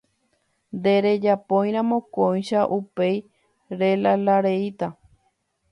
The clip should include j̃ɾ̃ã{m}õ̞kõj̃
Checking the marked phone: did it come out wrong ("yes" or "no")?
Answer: no